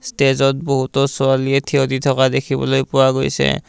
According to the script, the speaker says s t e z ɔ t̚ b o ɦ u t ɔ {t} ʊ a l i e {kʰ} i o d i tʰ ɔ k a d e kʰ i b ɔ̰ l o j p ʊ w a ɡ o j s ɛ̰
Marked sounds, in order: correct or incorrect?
incorrect: s, incorrect: tʰ

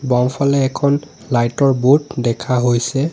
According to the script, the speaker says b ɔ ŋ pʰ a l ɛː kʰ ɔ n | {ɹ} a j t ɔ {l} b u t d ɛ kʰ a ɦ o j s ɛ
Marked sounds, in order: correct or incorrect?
incorrect: l, incorrect: ɹ

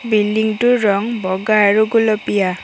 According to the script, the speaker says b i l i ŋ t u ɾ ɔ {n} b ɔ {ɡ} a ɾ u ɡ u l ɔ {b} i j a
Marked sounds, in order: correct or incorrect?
incorrect: ŋ, correct, incorrect: p

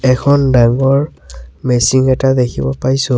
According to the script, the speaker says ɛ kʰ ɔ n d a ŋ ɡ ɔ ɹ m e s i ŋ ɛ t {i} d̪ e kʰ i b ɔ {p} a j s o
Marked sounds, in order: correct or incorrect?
incorrect: a, correct

